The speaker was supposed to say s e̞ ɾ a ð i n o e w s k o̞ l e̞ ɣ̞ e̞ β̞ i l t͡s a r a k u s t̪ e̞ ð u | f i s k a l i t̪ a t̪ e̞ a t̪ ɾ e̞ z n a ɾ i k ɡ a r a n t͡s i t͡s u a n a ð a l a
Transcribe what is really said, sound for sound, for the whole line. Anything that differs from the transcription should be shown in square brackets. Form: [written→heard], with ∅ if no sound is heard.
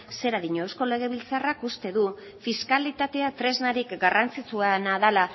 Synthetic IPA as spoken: s e̞ ɾ a ð i [n→ɲ] o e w s k o̞ l e̞ ɣ̞ e̞ β̞ i l t͡s a r a k u s t̪ e̞ ð u | f i s k a l i t̪ a t̪ e̞ a t̪ ɾ e̞ z n a ɾ i k ɡ a r a n t͡s i t͡s u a n a ð a l a